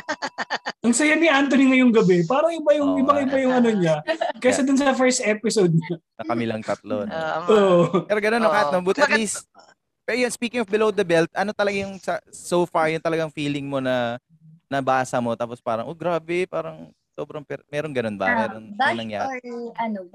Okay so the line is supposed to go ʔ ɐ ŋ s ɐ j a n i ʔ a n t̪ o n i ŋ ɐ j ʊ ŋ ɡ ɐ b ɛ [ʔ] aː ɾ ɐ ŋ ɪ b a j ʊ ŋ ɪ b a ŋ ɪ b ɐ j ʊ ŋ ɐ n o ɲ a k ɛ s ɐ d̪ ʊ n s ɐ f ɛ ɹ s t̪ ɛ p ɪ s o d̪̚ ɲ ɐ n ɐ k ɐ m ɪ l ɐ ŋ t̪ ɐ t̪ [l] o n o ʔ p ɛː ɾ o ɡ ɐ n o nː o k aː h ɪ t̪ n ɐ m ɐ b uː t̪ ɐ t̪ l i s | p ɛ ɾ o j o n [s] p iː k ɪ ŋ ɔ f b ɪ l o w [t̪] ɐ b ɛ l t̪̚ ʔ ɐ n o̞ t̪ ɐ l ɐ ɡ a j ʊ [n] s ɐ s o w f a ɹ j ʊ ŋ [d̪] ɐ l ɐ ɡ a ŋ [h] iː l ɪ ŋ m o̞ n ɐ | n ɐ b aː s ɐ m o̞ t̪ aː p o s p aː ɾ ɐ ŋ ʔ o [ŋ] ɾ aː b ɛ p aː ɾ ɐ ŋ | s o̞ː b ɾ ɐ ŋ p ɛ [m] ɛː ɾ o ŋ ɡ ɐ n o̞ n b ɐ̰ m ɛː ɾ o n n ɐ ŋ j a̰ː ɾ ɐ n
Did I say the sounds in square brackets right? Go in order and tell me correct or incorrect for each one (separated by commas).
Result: incorrect, correct, correct, incorrect, incorrect, incorrect, incorrect, incorrect, correct